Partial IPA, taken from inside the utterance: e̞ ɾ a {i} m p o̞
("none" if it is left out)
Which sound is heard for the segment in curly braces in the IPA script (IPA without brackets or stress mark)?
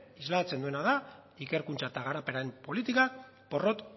e